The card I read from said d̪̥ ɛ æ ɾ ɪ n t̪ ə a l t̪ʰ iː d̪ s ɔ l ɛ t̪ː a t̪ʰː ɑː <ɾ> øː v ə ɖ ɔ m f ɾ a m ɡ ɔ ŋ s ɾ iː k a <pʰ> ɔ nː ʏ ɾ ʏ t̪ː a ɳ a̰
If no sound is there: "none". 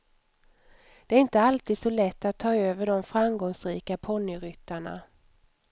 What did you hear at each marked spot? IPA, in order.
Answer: none, pʰ

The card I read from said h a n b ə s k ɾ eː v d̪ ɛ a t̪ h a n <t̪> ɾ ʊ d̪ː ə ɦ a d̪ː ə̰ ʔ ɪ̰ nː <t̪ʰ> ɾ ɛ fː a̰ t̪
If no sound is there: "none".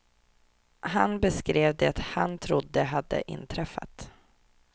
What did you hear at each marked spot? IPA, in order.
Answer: t̪ʰ, t̪ʰ

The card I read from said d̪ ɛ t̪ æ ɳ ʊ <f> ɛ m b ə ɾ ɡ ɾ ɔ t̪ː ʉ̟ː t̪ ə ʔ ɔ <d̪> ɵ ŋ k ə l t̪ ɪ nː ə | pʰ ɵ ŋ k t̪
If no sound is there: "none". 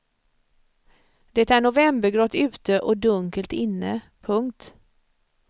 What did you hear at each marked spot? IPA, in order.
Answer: v, d̪

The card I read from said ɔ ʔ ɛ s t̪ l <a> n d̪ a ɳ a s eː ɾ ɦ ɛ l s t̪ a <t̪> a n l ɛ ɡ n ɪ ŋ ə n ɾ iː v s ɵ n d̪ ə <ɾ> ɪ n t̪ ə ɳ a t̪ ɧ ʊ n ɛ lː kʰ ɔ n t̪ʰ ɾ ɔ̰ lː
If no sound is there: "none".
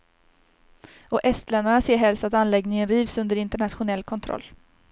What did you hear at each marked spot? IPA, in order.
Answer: ɛ, t̪, ɾ

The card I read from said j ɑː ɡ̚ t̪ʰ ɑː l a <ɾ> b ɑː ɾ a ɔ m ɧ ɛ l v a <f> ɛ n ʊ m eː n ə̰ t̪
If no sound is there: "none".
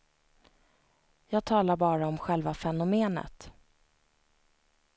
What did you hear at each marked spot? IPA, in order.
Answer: ɾ, f

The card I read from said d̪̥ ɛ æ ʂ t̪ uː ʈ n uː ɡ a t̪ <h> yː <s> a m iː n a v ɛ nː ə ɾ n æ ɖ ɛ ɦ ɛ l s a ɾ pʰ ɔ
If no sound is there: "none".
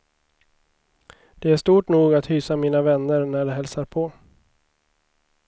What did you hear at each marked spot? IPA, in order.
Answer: h, s

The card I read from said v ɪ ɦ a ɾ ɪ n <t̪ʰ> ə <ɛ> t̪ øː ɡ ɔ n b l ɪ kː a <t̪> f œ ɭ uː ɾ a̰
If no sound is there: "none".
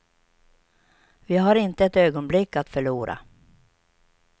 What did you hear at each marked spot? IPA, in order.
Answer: t̪, ɛ, t̪

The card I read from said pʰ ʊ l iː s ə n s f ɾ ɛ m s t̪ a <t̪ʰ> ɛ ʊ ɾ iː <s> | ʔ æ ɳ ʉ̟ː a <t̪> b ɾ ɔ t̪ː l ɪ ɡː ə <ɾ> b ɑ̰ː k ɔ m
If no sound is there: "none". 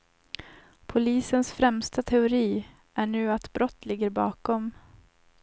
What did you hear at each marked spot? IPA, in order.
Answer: t̪ʰ, none, t̪, ɾ

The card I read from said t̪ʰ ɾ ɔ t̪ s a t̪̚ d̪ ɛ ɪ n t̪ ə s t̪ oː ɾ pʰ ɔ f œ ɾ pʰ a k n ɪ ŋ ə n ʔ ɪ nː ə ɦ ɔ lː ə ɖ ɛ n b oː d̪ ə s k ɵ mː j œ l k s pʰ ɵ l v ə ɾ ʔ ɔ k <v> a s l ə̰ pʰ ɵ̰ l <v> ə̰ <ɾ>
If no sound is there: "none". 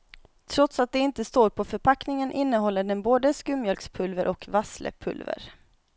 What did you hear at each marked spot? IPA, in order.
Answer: v, v, ɾ

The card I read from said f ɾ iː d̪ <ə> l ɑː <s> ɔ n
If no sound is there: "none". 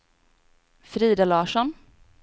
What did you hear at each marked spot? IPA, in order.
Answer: a, ʂ

